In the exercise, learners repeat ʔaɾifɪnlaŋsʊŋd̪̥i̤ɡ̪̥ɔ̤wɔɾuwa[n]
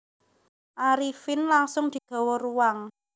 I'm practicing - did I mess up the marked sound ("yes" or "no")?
yes